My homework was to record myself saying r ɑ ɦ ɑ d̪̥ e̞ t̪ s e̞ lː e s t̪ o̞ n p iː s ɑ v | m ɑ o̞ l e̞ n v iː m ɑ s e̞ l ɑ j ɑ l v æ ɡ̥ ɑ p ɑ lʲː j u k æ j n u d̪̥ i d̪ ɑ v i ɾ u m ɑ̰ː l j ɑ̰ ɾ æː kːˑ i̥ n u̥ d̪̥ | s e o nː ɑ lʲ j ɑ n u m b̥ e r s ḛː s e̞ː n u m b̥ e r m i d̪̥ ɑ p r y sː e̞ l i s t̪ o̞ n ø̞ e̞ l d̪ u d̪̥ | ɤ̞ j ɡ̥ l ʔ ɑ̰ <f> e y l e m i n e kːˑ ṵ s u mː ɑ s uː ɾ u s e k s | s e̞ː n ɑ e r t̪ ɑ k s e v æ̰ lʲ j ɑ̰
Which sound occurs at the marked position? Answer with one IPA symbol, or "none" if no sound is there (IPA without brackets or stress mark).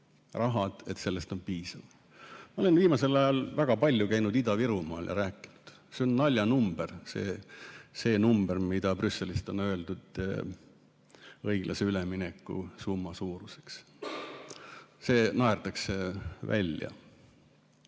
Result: s